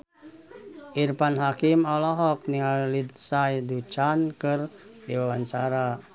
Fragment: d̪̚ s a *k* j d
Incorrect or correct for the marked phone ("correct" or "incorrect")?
incorrect